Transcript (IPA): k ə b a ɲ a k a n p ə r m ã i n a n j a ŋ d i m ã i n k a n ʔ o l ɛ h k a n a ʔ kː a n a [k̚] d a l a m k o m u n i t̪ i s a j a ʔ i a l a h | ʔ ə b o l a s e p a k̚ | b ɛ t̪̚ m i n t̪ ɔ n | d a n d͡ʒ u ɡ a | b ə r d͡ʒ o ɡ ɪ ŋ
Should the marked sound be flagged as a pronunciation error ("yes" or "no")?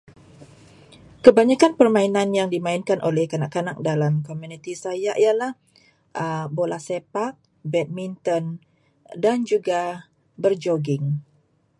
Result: no